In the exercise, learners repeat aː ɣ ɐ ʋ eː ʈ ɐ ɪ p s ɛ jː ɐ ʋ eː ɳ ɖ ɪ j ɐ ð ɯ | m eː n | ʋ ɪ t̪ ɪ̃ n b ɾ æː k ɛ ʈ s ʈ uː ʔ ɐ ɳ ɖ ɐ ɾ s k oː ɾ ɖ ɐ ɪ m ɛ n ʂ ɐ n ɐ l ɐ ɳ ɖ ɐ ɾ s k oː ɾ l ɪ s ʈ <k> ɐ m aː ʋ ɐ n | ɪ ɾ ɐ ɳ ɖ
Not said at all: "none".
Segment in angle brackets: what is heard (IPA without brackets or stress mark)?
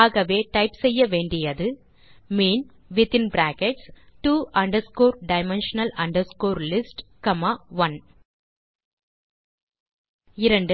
k